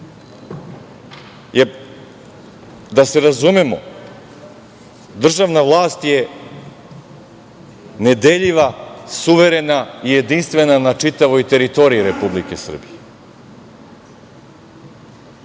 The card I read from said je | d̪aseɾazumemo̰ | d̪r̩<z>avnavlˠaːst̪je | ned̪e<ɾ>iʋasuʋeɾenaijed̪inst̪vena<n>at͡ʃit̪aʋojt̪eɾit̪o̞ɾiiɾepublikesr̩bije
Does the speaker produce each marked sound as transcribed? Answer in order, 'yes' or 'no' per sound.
no, no, yes

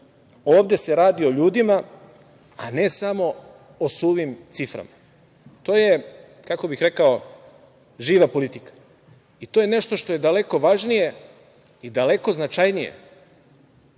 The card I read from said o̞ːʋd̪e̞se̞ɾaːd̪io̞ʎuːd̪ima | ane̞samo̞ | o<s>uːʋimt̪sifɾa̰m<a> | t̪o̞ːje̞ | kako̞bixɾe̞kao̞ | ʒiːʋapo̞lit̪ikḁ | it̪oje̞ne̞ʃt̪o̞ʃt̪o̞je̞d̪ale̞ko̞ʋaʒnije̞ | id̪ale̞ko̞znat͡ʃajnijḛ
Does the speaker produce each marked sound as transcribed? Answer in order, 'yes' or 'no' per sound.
yes, yes

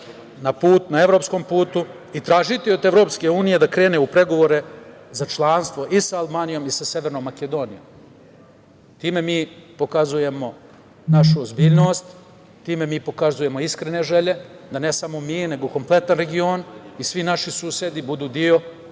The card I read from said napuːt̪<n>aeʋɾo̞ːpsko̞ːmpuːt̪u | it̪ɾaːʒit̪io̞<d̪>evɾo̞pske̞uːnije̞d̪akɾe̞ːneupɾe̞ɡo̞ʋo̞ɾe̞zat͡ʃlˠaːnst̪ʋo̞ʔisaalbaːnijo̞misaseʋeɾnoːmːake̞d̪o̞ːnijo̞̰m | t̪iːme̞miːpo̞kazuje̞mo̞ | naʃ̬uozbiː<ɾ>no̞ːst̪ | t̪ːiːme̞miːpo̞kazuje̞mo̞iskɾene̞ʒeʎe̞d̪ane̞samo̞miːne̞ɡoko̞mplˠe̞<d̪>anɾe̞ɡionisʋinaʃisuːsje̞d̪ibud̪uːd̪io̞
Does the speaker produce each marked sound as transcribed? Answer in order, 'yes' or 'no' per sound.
yes, yes, no, no

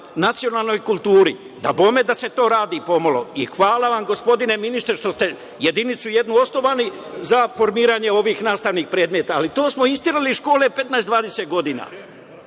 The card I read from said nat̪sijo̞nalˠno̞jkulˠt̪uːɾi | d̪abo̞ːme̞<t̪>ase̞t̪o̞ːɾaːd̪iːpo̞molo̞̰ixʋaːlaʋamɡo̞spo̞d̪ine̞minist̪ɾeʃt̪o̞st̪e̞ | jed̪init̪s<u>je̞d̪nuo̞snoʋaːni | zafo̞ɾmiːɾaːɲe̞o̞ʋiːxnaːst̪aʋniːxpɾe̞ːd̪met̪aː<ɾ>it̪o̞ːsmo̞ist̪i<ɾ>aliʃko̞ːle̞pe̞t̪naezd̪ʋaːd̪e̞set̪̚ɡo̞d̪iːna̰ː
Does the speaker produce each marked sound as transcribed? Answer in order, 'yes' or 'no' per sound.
no, yes, no, yes

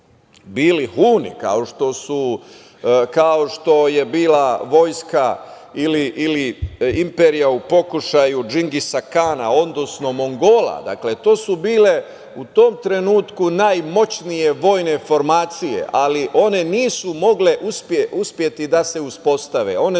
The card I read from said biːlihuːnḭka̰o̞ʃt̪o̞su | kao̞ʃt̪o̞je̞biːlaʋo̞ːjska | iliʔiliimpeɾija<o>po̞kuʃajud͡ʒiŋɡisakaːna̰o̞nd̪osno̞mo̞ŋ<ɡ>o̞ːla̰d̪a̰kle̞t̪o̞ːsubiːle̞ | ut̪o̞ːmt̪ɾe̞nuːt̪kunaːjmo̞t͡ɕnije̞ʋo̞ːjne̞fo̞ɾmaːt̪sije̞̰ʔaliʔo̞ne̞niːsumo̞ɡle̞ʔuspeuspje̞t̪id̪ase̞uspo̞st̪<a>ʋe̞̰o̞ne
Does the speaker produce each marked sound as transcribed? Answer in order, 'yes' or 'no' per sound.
no, yes, yes

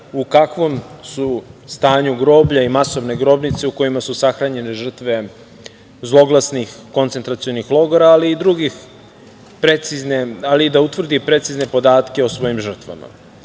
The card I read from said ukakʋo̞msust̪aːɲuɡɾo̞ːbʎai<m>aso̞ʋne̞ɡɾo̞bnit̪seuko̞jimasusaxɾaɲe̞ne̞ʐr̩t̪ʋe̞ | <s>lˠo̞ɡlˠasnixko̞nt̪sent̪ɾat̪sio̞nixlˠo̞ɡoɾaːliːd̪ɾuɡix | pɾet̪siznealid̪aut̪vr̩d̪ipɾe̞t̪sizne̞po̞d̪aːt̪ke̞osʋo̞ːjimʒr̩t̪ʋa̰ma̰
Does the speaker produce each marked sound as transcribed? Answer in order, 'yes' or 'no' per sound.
yes, no

